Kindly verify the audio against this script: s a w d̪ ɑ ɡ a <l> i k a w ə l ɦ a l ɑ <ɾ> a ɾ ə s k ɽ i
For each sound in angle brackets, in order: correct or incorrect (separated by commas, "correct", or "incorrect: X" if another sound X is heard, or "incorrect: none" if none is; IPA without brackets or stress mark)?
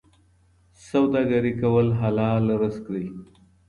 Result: incorrect: ɾ, incorrect: l